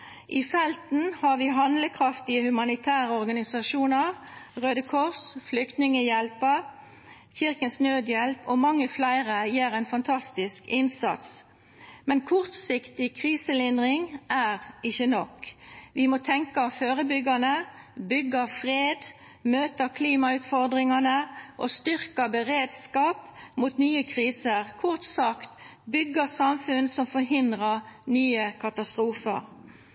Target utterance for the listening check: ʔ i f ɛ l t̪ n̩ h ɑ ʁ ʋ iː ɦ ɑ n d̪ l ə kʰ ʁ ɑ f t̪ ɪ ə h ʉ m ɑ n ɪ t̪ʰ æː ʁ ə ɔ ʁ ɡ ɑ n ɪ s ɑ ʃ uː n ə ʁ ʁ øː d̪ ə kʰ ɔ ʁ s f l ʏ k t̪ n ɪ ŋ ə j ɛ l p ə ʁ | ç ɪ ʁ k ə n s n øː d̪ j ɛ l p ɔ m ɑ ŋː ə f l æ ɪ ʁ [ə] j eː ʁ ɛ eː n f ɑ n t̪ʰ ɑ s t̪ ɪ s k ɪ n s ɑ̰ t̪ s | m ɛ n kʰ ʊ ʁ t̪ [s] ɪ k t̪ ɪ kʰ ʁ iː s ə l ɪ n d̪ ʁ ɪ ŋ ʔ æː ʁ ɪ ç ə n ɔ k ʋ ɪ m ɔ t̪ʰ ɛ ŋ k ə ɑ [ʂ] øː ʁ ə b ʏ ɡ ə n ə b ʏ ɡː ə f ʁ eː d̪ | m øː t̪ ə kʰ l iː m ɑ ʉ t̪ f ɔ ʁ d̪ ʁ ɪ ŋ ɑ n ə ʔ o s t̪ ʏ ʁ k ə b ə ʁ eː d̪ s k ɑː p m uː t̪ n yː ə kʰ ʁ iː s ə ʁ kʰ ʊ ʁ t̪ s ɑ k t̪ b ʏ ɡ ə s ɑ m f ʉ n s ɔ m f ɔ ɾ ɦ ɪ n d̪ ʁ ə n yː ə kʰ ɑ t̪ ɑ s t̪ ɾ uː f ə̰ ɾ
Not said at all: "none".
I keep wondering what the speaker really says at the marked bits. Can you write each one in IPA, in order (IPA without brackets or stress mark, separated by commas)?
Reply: ə, s, f